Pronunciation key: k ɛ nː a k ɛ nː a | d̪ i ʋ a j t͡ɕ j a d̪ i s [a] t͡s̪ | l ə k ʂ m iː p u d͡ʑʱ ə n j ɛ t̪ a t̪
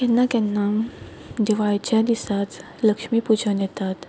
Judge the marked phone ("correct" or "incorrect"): correct